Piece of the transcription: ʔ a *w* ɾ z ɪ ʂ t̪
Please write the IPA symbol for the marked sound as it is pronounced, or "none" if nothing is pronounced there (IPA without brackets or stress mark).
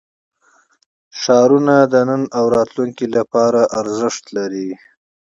none